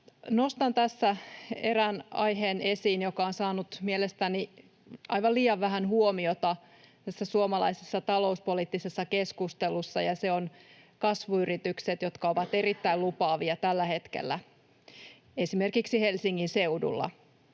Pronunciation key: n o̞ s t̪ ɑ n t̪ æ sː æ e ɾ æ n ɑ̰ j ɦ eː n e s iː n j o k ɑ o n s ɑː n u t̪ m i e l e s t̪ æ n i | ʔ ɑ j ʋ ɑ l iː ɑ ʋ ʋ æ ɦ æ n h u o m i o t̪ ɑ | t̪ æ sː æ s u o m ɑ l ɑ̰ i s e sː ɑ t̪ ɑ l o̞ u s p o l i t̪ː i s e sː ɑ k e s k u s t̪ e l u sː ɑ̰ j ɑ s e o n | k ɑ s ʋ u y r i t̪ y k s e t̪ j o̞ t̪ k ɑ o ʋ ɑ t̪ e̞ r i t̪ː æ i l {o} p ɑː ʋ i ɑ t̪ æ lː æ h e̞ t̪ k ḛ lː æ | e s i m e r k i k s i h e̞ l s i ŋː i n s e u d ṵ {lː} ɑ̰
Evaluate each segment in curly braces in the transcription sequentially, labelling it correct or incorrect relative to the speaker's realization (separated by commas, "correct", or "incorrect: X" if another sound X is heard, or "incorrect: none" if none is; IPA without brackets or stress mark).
incorrect: u, correct